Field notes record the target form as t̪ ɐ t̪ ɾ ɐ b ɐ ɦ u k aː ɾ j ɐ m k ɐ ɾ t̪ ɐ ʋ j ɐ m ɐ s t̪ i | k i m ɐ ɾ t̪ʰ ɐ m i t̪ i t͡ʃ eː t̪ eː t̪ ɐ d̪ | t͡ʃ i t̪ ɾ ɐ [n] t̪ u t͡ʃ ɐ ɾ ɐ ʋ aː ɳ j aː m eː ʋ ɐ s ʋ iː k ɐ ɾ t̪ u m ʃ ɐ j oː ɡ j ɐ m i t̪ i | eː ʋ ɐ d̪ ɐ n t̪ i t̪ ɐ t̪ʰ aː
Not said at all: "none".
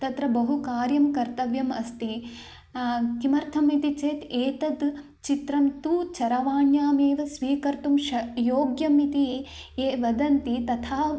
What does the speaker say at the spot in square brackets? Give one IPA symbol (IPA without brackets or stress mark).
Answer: m